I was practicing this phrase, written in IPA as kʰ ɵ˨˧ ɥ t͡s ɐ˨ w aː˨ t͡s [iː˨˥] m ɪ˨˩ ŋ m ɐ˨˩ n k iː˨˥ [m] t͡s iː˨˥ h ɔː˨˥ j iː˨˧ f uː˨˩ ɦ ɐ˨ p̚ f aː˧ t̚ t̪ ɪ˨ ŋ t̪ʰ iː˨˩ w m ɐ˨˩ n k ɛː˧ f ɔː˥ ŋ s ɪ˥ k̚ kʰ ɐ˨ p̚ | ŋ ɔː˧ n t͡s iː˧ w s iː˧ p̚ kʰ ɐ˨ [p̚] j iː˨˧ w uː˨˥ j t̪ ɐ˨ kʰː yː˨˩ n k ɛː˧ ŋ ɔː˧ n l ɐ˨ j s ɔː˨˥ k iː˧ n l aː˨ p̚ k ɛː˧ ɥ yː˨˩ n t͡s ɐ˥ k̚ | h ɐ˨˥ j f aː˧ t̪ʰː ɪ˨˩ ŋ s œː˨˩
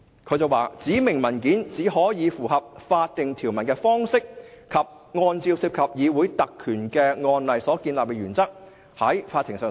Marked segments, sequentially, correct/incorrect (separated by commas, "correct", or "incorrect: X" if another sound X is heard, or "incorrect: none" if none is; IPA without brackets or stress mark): correct, incorrect: n, correct